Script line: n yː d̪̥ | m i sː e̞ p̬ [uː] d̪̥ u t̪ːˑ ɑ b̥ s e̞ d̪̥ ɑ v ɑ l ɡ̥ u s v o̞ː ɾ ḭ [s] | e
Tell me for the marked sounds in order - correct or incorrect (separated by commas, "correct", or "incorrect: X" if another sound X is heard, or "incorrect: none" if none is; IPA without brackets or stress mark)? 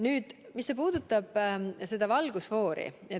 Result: correct, incorrect: none